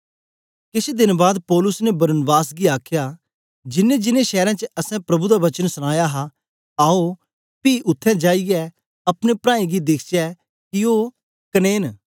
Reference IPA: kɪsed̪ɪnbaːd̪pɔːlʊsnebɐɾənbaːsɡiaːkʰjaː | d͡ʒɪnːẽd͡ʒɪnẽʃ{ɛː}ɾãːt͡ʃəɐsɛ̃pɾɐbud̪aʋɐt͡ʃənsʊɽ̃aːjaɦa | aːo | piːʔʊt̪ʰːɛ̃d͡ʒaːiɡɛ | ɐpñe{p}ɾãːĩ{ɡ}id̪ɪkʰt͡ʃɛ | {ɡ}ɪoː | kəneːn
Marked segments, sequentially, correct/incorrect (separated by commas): correct, correct, correct, incorrect